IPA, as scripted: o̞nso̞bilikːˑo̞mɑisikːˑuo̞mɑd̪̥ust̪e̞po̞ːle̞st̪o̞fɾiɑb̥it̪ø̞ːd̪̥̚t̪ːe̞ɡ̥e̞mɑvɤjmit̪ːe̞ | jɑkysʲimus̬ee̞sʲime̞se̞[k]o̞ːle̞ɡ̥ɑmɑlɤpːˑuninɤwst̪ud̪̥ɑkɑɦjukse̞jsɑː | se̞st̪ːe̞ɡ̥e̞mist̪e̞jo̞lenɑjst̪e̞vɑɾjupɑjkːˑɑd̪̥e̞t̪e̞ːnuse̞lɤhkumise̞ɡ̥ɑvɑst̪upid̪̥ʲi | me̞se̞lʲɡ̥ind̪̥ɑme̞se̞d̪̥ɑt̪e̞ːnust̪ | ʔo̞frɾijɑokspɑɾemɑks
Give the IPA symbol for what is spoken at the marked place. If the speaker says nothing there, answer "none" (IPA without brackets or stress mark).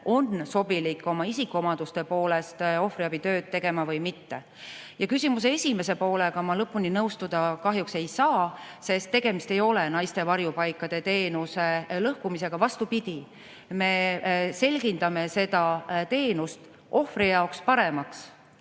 p